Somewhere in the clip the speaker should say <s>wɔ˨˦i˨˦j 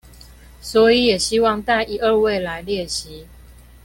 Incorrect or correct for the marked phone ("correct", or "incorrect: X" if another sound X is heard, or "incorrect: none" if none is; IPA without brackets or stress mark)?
correct